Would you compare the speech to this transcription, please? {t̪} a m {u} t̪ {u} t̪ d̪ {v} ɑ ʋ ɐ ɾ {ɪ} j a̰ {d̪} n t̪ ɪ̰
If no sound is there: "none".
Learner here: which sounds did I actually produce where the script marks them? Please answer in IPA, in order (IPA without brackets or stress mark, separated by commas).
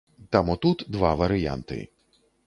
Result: t̪, ɔ, u, ʋ, ɪ, none